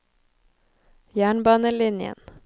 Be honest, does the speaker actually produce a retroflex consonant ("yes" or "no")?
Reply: yes